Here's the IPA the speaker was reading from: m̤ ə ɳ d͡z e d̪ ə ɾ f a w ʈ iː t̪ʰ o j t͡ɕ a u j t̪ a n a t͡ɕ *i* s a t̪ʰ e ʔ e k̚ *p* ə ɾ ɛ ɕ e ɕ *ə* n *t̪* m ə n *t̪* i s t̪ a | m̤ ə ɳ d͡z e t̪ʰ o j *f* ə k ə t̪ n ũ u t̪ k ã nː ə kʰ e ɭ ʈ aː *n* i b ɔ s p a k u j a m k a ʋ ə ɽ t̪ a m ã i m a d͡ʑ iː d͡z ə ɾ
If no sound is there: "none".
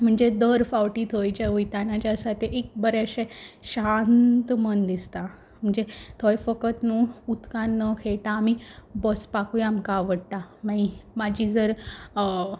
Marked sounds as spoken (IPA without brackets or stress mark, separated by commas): a, b, a, t̪, d̪, f, m